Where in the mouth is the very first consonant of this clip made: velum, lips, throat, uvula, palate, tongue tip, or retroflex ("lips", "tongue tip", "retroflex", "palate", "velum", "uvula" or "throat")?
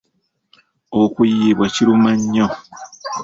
velum